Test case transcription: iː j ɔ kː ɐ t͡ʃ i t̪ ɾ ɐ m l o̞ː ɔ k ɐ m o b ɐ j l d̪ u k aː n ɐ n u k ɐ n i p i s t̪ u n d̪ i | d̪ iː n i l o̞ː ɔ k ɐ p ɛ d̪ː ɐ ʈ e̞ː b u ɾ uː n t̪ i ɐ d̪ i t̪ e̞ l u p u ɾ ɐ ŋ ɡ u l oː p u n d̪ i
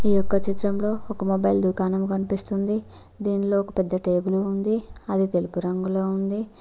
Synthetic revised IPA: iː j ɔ kː ɐ t͡ʃ i t̪ ɾ ɐ m l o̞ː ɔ k ɐ m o b ɐ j l d̪ u k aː n ɐ m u k ɐ n i p i s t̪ u n d̪ i | d̪ iː n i l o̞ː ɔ k ɐ p ɛ d̪ː ɐ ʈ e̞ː b u l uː n d̪ i ɐ d̪ i t̪ e̞ l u p u ɾ ɐ ŋ ɡ u l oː u n d̪ i